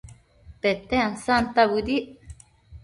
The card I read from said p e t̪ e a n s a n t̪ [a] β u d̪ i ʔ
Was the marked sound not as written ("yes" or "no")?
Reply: no